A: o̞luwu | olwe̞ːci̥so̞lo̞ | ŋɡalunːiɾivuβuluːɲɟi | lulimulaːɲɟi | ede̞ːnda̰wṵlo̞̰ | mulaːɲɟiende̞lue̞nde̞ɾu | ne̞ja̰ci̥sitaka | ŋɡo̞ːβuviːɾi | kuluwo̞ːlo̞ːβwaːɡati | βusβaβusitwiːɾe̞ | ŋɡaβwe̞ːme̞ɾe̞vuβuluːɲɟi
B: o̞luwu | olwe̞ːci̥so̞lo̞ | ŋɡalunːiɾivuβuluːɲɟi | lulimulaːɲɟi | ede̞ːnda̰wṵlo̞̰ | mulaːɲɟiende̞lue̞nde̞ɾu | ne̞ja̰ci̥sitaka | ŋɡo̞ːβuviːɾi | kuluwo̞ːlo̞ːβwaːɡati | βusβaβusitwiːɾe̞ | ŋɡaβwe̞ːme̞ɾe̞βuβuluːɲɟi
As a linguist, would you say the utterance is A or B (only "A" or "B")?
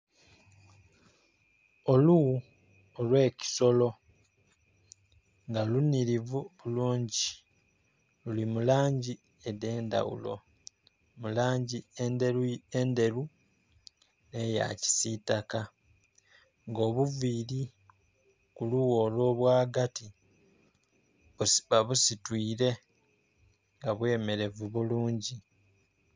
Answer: A